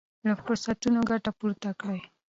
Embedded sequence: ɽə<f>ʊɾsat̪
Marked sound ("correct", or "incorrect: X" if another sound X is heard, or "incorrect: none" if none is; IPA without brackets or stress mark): correct